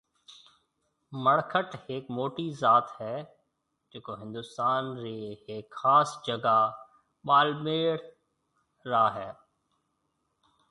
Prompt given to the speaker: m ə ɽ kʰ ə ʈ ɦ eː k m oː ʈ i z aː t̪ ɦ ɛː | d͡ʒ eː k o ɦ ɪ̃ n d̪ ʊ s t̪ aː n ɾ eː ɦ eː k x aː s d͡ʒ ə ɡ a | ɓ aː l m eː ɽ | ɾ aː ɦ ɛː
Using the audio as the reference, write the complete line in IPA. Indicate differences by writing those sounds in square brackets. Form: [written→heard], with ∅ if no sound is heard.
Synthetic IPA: m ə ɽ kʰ ə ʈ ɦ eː k m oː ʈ i z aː t̪ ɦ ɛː | d͡ʒ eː k o ɦ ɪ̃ n d̪ ʊ s t̪ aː n ɾ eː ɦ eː k x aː s d͡ʒ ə ɡ a | ɓ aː l m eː ɽ | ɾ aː ɦ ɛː

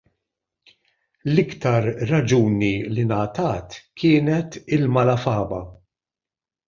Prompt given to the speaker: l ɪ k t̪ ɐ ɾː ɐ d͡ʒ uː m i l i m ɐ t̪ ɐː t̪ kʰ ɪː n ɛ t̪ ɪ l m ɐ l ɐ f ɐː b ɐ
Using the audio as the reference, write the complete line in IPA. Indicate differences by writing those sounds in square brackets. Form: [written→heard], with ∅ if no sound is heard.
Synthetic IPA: l ɪ k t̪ ɐ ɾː ɐ d͡ʒ uː [m→n] i l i [m→n] ɐ t̪ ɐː t̪ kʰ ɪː n ɛ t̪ ɪ l m ɐ l ɐ f ɐː b ɐ

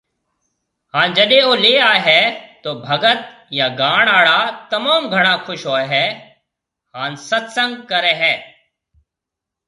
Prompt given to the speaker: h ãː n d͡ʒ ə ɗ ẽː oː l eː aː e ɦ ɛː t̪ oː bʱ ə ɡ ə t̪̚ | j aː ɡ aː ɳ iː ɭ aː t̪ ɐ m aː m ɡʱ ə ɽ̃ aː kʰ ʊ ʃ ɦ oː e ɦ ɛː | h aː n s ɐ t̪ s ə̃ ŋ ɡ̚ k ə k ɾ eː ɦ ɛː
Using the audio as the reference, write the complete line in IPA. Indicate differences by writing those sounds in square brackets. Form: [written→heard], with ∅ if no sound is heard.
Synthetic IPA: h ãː n d͡ʒ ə ɗ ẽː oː l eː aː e ɦ ɛː t̪ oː bʱ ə ɡ ə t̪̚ | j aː ɡ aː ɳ [iː→aː] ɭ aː t̪ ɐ m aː m ɡʱ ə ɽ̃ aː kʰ ʊ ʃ ɦ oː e ɦ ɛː | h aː n s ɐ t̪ s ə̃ ŋ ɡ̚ k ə [k→∅] ɾ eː ɦ ɛː

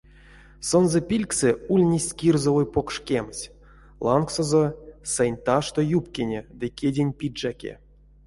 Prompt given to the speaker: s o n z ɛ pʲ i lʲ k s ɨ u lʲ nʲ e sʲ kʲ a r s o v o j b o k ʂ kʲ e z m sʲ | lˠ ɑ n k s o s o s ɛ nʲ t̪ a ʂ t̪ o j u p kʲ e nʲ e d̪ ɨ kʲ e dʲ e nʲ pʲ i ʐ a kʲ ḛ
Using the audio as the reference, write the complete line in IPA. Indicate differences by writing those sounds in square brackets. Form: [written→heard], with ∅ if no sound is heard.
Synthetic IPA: s o n z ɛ pʲ i lʲ k s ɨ u lʲ nʲ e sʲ kʲ [a→i] r [s→z] o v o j [b→p] o k ʂ kʲ e [z→∅] m sʲ | lˠ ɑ n k s o [s→z] o s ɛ nʲ t̪ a ʂ t̪ o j u p kʲ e nʲ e d̪ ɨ kʲ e dʲ e nʲ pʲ i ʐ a kʲ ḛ

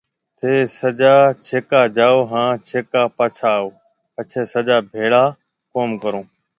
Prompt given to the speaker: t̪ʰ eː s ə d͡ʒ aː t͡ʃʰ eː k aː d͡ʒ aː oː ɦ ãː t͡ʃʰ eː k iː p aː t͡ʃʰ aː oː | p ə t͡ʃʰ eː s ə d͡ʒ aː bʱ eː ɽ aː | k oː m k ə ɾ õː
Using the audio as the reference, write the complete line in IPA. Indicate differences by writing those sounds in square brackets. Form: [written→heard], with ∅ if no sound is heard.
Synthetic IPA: t̪ʰ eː s ə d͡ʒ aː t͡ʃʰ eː k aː d͡ʒ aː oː ɦ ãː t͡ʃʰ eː k [iː→aː] p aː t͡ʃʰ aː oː | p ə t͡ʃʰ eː s ə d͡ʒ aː bʱ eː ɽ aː | k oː m k ə ɾ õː

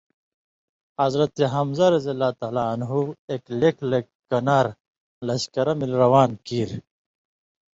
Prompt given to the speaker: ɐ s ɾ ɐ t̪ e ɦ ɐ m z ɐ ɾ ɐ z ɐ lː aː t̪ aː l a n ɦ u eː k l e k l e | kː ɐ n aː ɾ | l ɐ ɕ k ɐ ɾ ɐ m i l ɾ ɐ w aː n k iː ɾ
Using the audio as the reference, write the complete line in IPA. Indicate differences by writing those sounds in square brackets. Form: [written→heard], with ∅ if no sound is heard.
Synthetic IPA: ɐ [s→z] ɾ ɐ t̪ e ɦ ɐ m z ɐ ɾ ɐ z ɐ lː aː t̪ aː l a n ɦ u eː k l e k l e | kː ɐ n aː ɾ | l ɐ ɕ k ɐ ɾ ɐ m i l ɾ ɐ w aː n k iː ɾ

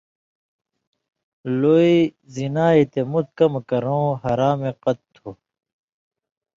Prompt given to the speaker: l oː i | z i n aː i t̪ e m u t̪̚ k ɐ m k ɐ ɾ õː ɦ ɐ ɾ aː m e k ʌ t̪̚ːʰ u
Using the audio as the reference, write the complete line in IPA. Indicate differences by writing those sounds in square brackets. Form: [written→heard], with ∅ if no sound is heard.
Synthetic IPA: l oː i | z i n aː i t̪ e m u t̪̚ k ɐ m k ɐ ɾ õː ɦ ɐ ɾ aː m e [k→q] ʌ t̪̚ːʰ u

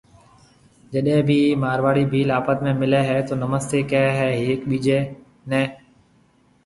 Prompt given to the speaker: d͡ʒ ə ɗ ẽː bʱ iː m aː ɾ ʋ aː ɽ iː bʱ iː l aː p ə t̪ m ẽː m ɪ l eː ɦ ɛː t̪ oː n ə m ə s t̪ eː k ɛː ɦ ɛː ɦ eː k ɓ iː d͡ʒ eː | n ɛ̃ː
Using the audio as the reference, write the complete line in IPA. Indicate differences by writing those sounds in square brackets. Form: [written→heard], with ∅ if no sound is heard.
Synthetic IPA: d͡ʒ ə ɗ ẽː bʱ iː m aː ɾ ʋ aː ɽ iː bʱ iː l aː p ə t̪ m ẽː m ɪ l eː ɦ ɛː t̪ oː n ə m ə s t̪ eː k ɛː ɦ ɛː ɦ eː k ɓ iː d͡ʒ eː | n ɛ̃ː

